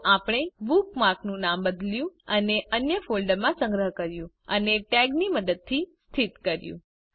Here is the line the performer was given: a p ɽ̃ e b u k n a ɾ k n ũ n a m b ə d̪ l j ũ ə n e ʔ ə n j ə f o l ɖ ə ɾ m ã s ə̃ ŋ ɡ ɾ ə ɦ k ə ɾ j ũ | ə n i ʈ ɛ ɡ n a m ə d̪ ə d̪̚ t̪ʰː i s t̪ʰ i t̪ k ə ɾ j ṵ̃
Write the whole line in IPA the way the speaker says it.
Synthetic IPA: a p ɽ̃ e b u k m a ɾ k n ũ n a m b ə d̪ l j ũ ə n e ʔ ə n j ə f o l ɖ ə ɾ m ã s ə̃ ŋ ɡ ɾ ə ɦ k ə ɾ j ũ | ə n e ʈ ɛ ɡ n i m ə d̪ ə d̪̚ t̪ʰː i s t̪ʰ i t̪ k ə ɾ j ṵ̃